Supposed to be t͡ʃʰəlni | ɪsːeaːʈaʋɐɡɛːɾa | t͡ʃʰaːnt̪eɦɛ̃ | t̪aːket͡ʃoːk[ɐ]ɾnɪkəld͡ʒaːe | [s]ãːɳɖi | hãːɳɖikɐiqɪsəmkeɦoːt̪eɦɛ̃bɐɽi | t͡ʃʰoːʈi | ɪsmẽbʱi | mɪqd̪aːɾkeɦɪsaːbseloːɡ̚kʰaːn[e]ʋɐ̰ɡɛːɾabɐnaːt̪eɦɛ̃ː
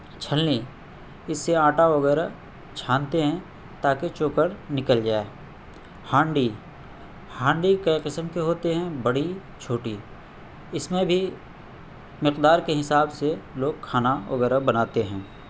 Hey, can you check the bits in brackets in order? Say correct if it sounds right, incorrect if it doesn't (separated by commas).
incorrect, incorrect, incorrect